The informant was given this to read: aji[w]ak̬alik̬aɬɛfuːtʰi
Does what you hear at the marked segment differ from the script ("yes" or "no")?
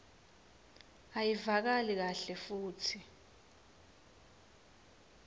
yes